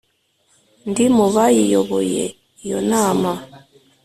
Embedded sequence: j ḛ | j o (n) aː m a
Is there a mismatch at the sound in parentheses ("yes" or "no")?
no